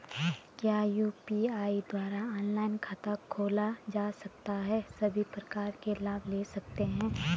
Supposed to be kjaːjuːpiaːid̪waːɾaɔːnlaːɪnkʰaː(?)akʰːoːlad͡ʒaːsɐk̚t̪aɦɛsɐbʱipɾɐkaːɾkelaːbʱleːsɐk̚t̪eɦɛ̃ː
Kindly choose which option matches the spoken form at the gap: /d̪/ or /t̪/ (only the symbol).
t̪